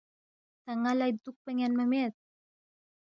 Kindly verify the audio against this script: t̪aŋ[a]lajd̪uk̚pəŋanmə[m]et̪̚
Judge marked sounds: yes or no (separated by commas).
yes, yes